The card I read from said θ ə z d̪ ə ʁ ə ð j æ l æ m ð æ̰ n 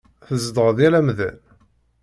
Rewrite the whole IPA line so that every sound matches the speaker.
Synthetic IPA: θ ə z d̪ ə ʁ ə ð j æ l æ m ð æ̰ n